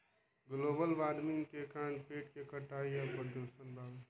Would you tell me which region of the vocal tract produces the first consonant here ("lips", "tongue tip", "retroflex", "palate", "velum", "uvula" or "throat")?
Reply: velum